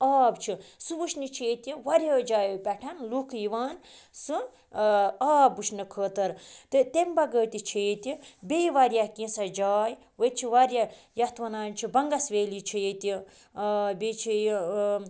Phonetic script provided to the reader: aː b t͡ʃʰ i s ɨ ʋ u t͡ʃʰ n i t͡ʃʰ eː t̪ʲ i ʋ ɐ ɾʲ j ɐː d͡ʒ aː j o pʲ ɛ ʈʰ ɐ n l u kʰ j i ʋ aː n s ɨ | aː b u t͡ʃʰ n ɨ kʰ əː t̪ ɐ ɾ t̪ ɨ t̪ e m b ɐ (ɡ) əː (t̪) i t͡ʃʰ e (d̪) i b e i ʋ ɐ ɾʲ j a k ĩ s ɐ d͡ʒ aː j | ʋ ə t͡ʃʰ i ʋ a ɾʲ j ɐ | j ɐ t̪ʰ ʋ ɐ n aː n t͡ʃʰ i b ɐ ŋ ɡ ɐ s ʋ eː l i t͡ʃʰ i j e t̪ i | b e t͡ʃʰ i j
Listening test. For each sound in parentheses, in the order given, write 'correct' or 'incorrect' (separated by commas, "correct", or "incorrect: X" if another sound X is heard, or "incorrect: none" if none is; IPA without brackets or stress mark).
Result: correct, correct, incorrect: t̪